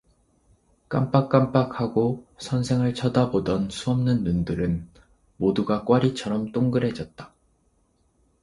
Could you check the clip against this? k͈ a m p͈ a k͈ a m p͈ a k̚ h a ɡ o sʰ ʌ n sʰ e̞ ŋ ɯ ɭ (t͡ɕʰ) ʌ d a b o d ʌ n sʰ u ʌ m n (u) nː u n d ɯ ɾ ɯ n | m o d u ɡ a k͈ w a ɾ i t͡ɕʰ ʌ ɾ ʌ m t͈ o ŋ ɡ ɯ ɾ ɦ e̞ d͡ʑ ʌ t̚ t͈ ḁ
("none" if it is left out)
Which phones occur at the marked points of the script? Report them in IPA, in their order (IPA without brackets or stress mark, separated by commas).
t͡ɕʰ, ɯ